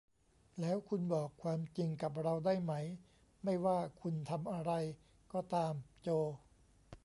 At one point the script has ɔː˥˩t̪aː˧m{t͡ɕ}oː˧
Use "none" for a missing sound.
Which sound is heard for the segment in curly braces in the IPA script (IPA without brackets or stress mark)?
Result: t͡ɕ